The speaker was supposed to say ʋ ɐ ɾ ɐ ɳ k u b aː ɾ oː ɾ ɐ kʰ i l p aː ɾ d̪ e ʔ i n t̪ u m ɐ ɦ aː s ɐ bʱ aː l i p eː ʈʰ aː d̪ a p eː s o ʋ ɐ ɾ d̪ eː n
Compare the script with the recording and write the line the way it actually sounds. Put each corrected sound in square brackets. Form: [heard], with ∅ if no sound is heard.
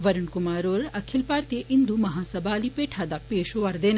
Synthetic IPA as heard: ʋ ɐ ɾ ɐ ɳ k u [m] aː ɾ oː ɾ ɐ kʰ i l p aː ɾ [t̪] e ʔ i n [d̪] u m ɐ ɦ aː s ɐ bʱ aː l i p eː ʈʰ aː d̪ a p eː [ʃ] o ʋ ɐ ɾ d̪ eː n